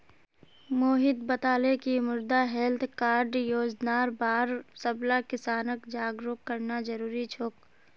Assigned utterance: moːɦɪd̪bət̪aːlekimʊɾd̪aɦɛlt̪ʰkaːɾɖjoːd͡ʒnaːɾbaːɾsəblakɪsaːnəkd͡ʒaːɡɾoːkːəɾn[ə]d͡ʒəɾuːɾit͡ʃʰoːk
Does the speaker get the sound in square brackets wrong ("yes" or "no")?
yes